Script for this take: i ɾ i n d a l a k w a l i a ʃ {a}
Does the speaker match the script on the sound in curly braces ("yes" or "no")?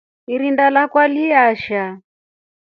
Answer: yes